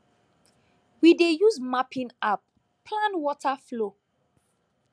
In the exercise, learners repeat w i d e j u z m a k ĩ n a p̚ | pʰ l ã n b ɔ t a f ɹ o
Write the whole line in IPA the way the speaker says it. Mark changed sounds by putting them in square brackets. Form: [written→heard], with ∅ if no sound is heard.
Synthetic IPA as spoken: w i d e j u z m a [k→p] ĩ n a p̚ | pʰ l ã n [b→w] ɔ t a f [ɹ→l] o